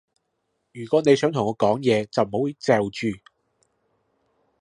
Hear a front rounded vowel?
yes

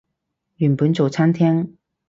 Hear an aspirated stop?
yes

